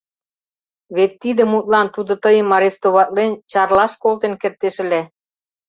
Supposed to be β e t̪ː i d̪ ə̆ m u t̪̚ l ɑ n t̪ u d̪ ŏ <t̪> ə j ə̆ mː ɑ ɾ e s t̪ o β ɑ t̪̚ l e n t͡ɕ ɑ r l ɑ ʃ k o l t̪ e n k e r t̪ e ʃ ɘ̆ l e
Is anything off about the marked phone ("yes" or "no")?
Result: no